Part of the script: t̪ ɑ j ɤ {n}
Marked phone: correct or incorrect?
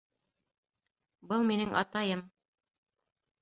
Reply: incorrect